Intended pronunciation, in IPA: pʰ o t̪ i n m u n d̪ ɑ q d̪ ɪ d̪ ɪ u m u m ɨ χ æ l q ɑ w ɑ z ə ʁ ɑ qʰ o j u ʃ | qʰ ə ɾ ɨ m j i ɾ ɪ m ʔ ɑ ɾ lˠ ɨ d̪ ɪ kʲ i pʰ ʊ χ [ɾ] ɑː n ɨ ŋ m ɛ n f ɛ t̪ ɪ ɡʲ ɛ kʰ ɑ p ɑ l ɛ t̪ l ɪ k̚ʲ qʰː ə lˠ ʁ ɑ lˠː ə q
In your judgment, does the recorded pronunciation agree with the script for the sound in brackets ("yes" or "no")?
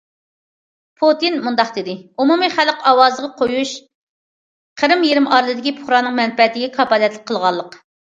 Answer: yes